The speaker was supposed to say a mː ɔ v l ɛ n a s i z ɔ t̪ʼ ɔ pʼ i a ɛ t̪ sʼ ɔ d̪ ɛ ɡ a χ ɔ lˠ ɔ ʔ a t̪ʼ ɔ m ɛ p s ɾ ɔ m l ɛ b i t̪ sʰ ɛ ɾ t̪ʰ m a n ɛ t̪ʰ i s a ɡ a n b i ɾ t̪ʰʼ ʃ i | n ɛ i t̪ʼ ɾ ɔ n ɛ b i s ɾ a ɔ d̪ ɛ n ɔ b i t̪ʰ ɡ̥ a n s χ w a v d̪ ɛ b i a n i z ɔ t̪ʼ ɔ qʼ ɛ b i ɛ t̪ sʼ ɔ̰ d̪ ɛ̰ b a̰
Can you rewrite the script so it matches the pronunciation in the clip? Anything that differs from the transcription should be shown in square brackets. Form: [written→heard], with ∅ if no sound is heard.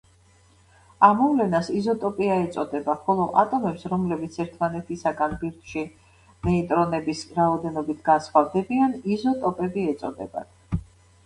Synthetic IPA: a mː ɔ v l ɛ n a s i z ɔ t̪ʼ ɔ pʼ i a ɛ t̪ sʼ ɔ d̪ ɛ [ɡ→b] a χ ɔ lˠ ɔ ʔ a t̪ʼ ɔ m ɛ p s ɾ ɔ m l ɛ b i t̪ sʰ ɛ ɾ t̪ʰ m a n ɛ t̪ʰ i s a ɡ a n b i ɾ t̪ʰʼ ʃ i | n ɛ i t̪ʼ ɾ ɔ n ɛ b i s ɾ a ɔ d̪ ɛ n ɔ b i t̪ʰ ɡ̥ a n s χ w a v d̪ ɛ b i a n i z ɔ t̪ʼ ɔ [qʼ→pʼ] ɛ b i ɛ t̪ sʼ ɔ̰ d̪ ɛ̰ b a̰